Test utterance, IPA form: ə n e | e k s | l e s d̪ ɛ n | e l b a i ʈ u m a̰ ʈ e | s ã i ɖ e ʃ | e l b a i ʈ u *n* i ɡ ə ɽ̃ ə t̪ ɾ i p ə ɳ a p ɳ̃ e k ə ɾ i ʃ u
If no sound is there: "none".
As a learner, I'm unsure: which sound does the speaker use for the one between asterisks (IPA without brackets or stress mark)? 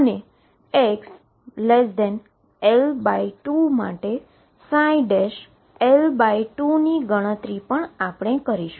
n